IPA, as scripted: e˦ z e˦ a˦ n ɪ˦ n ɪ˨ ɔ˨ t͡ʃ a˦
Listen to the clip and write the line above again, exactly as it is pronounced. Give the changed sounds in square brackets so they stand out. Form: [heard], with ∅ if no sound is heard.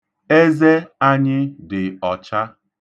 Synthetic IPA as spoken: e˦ z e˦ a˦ [ɲ] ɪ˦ [d] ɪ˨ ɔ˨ t͡ʃ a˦